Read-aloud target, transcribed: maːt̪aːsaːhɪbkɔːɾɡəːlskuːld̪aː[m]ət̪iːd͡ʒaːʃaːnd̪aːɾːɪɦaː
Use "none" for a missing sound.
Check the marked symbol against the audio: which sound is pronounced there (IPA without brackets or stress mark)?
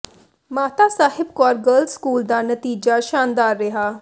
n